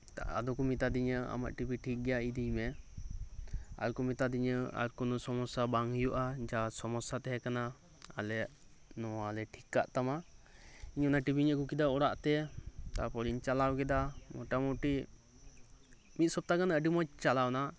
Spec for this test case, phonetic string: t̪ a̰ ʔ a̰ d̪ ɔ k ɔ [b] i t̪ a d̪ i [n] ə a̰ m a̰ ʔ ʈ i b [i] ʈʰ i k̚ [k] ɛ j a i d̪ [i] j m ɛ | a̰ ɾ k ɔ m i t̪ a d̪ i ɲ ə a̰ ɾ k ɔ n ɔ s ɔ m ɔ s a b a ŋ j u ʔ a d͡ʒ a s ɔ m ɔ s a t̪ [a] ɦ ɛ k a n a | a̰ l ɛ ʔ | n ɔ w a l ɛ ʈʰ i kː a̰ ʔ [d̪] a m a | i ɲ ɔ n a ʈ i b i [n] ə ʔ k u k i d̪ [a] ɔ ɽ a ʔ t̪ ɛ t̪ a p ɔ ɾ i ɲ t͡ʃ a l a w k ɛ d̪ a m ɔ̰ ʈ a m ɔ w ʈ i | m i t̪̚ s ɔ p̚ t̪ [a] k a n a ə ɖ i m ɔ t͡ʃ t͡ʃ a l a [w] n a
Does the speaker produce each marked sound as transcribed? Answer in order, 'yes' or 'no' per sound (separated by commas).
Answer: no, no, yes, no, yes, no, no, no, yes, yes, yes